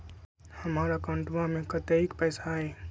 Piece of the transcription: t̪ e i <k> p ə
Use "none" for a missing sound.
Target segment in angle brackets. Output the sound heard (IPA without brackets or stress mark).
k